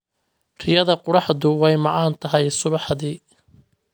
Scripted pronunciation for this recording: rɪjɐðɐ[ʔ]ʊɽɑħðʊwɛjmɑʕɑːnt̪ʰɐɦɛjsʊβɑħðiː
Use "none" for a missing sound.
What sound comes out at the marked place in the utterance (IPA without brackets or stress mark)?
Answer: q